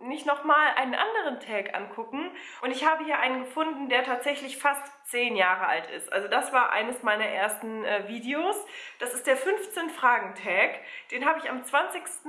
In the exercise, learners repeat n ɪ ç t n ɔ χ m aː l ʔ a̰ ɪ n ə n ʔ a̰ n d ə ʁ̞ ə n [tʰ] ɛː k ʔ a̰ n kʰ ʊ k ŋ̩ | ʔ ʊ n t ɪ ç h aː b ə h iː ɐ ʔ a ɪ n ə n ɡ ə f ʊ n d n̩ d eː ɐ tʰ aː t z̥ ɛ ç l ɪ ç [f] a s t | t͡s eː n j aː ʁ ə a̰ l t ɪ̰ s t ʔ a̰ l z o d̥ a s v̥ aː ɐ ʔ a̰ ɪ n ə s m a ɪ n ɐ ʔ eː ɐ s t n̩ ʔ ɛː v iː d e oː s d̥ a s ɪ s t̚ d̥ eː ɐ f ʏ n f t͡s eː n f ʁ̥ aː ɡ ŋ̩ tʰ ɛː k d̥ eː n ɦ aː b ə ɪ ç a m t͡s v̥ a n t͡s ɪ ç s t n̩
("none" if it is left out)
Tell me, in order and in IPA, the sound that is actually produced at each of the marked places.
tʰ, f

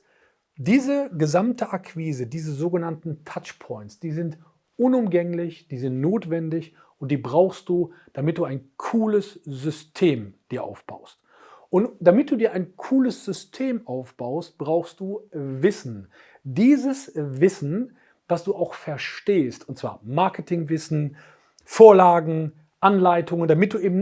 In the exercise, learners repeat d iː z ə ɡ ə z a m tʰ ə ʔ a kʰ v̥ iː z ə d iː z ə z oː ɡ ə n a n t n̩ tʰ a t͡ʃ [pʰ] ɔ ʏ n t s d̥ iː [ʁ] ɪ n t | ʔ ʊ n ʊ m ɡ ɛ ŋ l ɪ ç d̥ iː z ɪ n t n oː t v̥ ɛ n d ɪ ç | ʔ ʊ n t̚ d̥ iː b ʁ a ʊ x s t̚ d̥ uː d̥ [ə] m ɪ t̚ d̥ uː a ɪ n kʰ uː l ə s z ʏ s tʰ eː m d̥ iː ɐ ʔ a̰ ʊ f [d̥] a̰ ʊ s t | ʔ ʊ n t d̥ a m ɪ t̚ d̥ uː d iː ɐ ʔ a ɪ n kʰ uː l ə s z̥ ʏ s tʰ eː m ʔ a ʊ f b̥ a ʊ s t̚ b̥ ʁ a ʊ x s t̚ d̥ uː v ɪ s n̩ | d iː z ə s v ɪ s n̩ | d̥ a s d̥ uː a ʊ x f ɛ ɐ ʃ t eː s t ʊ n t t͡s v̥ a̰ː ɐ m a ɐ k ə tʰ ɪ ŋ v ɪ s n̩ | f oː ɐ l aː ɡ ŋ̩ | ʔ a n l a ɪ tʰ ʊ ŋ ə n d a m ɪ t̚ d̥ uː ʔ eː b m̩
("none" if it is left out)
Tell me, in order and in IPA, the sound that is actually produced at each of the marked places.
pʰ, z, a, b̥

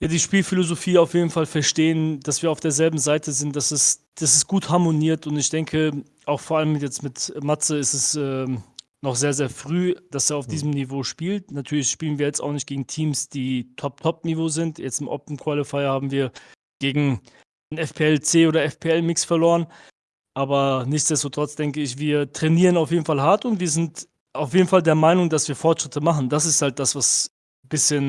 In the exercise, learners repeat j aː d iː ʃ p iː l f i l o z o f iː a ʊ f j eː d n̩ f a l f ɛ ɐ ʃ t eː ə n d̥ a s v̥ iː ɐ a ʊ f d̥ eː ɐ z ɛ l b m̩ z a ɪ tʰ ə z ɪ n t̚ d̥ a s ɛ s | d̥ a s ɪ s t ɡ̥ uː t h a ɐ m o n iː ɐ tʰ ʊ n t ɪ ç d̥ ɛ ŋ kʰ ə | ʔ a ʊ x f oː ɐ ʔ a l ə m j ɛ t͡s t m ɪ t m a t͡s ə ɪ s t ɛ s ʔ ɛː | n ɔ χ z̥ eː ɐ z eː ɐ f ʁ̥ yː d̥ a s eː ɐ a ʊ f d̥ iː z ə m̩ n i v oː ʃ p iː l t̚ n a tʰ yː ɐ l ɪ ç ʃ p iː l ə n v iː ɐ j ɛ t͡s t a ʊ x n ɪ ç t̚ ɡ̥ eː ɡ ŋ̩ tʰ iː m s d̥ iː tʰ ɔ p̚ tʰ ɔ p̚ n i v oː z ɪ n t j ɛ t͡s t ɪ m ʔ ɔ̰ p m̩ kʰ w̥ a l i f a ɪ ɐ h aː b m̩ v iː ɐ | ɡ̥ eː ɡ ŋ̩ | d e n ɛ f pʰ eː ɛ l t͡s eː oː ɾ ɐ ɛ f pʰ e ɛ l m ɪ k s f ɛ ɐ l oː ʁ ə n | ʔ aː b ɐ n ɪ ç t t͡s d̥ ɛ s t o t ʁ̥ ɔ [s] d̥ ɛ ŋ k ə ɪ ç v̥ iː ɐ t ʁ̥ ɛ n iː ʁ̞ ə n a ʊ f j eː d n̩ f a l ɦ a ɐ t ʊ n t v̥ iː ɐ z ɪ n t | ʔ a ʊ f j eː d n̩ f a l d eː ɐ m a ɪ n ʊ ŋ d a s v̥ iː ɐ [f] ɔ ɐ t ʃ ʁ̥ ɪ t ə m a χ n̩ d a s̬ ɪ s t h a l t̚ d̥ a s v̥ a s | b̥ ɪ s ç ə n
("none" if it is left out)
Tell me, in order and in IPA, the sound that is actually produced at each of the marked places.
t͡s, f

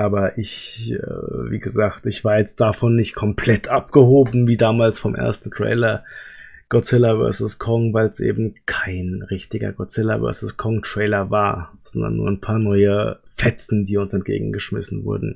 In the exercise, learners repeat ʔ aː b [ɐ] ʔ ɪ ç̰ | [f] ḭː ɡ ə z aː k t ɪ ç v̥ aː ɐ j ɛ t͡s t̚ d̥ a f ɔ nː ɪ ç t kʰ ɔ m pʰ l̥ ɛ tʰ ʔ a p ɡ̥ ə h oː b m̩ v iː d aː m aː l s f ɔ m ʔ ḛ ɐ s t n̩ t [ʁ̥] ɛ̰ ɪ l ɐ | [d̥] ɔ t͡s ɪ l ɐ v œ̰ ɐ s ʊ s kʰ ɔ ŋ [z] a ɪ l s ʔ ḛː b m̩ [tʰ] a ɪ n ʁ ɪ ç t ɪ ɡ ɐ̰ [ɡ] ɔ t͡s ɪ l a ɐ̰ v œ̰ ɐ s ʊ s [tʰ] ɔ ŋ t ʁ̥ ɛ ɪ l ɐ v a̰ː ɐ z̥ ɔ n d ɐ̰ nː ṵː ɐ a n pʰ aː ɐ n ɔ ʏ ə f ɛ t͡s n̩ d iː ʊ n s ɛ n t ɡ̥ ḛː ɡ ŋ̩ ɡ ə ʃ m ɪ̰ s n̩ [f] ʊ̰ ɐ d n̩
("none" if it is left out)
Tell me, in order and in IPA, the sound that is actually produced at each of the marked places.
ɐ, v, ʁ̥, ɡ̥, v, kʰ, ɡ, kʰ, v

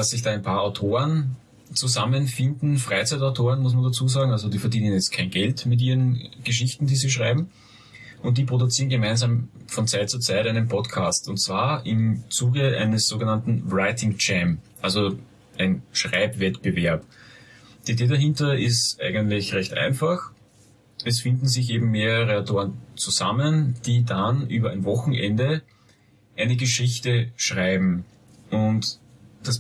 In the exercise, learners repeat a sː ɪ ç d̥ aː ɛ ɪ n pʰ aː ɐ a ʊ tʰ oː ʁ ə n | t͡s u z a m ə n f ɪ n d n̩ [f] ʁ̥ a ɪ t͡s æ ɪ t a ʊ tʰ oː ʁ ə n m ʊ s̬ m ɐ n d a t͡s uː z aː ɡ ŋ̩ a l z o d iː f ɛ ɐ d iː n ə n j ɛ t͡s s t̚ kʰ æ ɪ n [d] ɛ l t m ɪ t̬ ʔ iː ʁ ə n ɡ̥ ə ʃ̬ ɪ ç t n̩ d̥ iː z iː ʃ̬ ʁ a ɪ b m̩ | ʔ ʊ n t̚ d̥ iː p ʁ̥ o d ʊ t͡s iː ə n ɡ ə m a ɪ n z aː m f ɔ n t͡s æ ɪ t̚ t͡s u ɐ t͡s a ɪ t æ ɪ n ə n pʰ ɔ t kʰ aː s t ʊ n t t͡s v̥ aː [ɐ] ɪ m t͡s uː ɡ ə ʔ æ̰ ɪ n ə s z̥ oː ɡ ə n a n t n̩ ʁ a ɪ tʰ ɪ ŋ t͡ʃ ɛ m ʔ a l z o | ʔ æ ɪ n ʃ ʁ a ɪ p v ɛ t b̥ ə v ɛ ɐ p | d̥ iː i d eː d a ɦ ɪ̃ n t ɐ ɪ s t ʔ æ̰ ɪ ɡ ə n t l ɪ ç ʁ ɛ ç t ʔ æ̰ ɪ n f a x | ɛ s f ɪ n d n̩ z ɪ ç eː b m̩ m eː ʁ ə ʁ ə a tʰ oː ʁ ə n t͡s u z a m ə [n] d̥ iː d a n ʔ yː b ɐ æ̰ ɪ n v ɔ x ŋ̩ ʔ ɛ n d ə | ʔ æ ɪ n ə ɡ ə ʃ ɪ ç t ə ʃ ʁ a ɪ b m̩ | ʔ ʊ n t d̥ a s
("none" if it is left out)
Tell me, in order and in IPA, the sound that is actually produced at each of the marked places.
f, ɡ, ɐ, n

